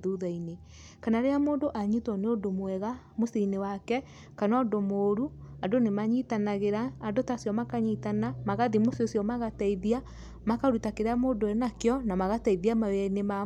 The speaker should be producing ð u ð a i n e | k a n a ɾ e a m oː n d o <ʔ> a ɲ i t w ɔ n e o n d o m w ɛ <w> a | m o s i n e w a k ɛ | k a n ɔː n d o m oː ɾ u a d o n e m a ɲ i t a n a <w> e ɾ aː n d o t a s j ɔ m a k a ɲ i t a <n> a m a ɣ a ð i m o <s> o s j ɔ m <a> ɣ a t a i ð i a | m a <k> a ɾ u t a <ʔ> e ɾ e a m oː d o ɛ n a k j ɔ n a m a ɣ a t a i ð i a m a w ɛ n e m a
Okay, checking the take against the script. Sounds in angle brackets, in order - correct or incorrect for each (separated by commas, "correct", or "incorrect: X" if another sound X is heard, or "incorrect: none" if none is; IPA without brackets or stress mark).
correct, incorrect: ɣ, incorrect: ɣ, correct, correct, correct, correct, incorrect: k